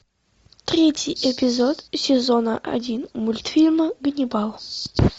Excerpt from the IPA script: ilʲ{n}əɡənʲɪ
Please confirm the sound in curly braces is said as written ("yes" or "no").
no